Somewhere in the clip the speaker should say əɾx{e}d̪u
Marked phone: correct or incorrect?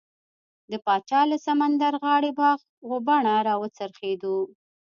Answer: correct